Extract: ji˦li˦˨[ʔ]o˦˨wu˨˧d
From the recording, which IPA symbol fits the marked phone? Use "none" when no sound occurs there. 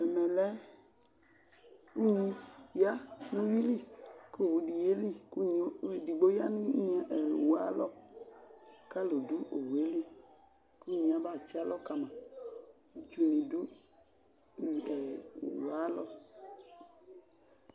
k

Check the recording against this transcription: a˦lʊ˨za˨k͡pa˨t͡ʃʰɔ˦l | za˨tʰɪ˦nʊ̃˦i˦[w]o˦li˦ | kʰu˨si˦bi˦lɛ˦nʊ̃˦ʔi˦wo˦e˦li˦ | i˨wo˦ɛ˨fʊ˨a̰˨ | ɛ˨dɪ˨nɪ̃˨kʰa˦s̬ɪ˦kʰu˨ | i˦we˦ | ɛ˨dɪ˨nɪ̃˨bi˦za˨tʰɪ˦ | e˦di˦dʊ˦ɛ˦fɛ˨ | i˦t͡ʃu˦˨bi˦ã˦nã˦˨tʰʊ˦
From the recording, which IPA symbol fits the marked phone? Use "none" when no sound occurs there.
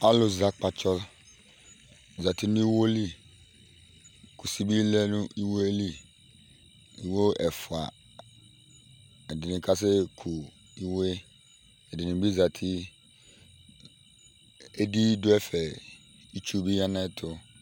w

